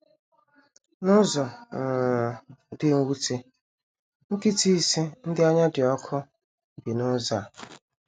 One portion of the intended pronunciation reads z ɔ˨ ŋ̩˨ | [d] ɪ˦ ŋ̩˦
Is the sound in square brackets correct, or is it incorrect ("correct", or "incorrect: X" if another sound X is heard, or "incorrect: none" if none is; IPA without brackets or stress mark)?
correct